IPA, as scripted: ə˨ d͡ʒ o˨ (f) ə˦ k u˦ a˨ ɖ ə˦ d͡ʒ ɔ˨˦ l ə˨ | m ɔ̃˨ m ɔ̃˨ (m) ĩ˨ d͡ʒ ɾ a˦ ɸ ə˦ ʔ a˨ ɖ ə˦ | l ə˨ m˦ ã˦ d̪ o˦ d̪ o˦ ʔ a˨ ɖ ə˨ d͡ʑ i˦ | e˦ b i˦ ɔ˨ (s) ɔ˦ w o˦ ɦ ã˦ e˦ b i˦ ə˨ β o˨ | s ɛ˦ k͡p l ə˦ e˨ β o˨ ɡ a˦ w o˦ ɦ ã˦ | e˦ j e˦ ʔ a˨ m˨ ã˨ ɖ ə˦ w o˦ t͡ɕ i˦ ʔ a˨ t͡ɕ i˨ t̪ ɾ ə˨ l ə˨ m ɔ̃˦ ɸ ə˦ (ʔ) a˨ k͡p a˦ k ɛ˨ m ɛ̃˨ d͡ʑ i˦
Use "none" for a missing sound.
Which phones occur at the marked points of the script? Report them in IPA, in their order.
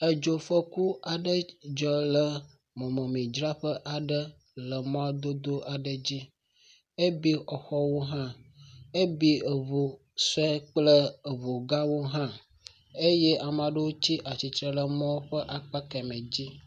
f, m, x, ʔ

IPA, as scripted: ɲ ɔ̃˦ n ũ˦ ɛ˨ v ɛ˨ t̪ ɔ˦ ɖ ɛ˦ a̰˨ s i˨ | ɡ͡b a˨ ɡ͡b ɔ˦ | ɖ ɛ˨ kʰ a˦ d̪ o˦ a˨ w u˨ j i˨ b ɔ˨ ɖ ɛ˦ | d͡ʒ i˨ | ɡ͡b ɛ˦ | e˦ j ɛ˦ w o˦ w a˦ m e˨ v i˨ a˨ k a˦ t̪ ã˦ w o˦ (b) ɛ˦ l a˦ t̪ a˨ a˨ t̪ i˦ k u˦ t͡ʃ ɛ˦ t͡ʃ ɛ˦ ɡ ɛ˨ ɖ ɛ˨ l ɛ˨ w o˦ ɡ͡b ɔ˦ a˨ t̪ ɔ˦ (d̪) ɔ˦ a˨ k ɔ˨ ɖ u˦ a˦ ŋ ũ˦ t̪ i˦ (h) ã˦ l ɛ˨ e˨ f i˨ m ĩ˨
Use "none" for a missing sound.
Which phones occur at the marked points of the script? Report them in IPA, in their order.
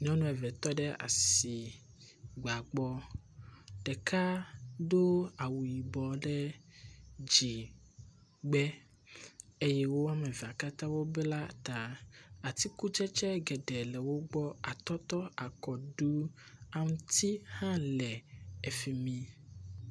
b, t̪, h

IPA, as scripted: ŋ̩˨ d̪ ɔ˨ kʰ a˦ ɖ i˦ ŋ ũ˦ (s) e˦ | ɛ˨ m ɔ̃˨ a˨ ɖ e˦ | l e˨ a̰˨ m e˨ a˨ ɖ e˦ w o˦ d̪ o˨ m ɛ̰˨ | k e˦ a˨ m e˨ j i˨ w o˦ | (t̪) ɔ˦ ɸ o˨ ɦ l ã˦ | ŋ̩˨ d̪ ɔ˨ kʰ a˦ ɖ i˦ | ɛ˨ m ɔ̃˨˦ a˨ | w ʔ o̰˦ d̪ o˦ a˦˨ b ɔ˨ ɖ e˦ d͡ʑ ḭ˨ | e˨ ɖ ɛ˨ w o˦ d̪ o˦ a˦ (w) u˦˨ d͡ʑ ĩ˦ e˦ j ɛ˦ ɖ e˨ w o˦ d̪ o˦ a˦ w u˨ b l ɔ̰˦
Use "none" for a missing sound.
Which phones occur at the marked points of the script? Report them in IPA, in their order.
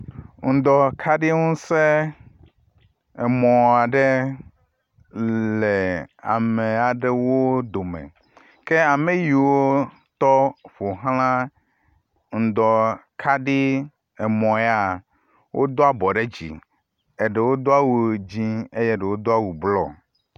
s, t̪, w

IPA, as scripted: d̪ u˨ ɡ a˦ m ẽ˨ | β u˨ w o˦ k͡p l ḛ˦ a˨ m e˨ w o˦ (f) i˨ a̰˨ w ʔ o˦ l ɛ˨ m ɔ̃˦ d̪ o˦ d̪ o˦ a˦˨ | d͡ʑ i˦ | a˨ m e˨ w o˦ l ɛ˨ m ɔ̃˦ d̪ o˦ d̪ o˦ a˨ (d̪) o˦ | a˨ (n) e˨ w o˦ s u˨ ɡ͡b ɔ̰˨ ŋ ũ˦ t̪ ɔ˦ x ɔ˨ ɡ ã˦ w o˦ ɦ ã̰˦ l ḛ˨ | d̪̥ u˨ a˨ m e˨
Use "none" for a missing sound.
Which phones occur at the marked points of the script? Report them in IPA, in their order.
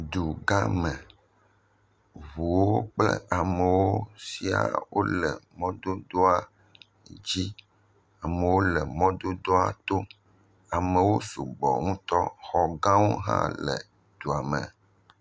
s, t̪, m

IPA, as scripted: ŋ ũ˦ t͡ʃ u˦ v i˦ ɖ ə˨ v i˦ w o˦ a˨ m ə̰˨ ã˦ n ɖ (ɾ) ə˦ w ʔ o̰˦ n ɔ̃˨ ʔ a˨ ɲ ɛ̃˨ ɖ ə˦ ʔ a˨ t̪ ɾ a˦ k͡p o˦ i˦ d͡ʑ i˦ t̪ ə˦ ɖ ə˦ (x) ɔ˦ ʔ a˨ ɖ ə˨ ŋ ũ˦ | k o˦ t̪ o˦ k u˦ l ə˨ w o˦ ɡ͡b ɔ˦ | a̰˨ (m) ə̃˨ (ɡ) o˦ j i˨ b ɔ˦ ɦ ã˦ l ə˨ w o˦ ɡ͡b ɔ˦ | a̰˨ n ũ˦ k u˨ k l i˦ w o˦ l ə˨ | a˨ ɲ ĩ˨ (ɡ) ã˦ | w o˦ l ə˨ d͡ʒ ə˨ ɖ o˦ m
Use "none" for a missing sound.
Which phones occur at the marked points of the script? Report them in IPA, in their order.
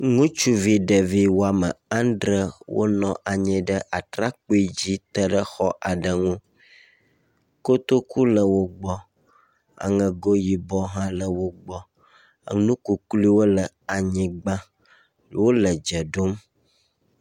ɾ, x, ŋ, ɡ, ɡ͡b

